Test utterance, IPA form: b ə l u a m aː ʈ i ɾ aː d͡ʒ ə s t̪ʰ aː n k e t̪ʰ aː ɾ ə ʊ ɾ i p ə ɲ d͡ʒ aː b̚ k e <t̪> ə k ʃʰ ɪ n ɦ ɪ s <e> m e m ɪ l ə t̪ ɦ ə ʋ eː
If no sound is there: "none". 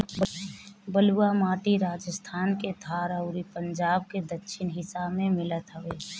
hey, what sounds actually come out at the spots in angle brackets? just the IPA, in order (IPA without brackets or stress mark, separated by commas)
d̪, a